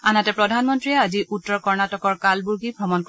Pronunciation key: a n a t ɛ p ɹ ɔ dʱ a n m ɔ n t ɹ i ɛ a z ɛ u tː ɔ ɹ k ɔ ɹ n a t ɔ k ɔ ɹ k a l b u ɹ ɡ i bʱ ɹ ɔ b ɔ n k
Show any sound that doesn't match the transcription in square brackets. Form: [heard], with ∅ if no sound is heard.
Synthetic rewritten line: a n a t ɛ p ɹ ɔ dʱ a n m ɔ n t ɹ i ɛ a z [i] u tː ɔ ɹ k ɔ ɹ n a t ɔ k ɔ ɹ k a l b u ɹ ɡ i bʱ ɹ ɔ [m] ɔ n k